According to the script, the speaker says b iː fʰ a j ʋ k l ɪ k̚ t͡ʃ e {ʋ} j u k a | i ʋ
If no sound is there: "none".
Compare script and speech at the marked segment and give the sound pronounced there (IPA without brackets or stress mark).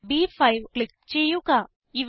none